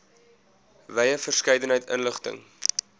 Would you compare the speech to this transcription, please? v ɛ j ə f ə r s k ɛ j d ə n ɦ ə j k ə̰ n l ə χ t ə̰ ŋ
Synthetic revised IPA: v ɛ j ə f ə r s k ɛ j d ə n ɦ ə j t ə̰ n l ə χ t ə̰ ŋ